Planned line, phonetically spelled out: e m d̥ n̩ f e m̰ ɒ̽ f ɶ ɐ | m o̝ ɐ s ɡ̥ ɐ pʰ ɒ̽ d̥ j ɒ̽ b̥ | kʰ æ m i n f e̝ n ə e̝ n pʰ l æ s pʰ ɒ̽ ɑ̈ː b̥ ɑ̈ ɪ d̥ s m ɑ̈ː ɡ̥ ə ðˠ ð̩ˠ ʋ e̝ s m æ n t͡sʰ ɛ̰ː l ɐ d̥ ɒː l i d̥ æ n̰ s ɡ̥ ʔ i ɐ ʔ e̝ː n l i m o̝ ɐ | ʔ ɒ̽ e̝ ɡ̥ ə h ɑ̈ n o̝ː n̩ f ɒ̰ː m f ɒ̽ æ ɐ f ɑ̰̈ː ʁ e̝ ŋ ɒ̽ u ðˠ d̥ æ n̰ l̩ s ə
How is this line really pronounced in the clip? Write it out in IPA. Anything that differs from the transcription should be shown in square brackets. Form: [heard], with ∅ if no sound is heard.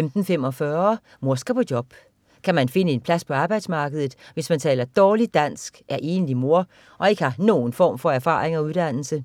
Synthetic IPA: e m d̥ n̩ f e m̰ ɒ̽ f ɶ ɐ | m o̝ ɐ s ɡ̥ ɐ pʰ ɒ̽ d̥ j ɒ̽ b̥ | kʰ æ m [æ] n f e̝ n ə e̝ n pʰ l æ s pʰ ɒ̽ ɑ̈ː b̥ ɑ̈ ɪ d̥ s m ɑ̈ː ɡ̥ ə ðˠ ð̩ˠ ʋ e̝ s m æ n t͡sʰ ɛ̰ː l ɐ d̥ ɒː l i d̥ æ n̰ s ɡ̥ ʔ [æ] ɐ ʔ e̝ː n l i m o̝ ɐ | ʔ ɒ̽ e̝ ɡ̥ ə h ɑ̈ n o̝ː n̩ f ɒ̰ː m f ɒ̽ æ ɐ f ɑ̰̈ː ʁ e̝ ŋ ɒ̽ u ðˠ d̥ æ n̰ l̩ s ə

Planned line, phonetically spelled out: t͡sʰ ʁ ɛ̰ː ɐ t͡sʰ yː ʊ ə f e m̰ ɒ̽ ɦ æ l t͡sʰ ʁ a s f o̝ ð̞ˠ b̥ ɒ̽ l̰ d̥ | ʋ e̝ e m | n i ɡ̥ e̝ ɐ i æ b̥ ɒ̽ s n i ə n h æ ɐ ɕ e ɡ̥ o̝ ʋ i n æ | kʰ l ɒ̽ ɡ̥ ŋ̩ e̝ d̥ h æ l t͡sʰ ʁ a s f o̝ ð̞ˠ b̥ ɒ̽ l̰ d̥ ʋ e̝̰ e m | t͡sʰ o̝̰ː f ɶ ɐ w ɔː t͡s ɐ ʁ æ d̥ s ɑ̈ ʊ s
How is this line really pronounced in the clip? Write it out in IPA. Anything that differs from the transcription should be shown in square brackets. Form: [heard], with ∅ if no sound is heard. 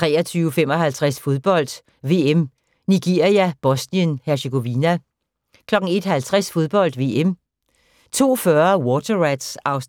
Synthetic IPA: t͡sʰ ʁ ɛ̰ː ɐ t͡sʰ yː ʊ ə f e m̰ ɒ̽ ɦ æ l t͡sʰ ʁ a s f o̝ ð̞ˠ b̥ ɒ̽ l̰ d̥ | ʋ e̝ e m | n i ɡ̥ e̝ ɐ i æ b̥ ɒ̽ s n i ə n h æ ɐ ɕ e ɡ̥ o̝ ʋ i n æ | kʰ l ɒ̽ ɡ̥ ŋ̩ e̝ d̥ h æ l t͡sʰ ʁ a s f o̝ ð̞ˠ b̥ ɒ̽ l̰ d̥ ʋ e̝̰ e m | t͡sʰ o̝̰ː f ɶ ɐ w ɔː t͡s ɐ ʁ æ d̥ s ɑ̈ ʊ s

